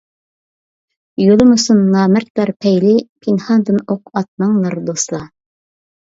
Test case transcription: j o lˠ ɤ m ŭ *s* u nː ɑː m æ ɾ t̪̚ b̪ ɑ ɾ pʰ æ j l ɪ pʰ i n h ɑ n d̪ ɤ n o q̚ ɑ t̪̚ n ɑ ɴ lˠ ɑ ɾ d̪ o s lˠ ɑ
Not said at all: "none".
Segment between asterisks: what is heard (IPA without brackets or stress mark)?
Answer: s